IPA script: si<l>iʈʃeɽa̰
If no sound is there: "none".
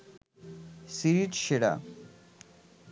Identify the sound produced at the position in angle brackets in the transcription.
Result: ɾ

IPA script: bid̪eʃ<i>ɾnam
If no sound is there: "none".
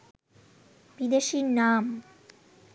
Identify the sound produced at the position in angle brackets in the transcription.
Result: i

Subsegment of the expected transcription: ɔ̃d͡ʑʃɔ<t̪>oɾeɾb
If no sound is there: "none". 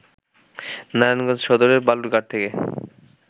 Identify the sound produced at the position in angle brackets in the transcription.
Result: d̪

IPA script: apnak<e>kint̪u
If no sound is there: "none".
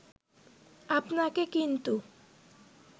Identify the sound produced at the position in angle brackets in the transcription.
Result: e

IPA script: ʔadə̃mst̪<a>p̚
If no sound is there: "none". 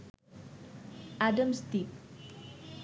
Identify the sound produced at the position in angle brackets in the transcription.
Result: i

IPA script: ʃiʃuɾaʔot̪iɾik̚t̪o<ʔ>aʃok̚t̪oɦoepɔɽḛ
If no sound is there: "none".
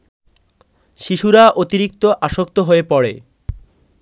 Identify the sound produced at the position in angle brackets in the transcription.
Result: ʔ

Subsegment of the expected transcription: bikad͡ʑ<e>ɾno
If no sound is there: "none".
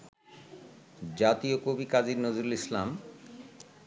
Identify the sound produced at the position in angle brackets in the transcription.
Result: i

